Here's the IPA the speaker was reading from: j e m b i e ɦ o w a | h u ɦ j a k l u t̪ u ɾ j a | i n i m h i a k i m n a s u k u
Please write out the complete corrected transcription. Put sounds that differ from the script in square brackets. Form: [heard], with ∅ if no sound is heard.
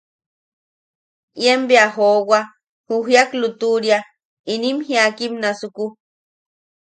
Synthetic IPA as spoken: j e m b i [a] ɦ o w a | h u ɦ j a k l u t̪ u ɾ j a | i n i m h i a k i m n a s u k u